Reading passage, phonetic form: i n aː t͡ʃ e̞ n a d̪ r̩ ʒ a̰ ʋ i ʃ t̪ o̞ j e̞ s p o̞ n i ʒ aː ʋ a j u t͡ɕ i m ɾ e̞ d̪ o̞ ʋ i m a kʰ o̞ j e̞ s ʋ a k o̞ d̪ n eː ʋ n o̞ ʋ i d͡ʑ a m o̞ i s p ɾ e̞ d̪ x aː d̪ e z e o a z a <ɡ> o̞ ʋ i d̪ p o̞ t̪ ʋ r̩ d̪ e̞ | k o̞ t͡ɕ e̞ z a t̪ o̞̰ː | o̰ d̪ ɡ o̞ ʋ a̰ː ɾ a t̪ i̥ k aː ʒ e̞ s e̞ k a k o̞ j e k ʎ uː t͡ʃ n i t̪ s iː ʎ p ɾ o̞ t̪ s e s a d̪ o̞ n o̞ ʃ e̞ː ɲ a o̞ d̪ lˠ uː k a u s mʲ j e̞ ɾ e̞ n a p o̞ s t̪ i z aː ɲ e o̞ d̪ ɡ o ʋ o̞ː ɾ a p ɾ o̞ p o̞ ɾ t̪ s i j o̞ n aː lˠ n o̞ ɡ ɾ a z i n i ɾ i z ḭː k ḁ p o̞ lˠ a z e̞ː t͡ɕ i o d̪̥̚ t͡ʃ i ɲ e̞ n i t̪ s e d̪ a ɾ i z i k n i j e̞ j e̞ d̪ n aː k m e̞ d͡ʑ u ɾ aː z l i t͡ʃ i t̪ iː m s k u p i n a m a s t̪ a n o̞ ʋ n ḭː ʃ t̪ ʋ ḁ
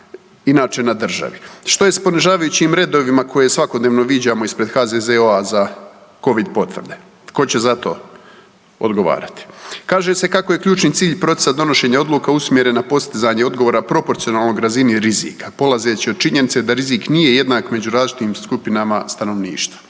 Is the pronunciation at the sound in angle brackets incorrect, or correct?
incorrect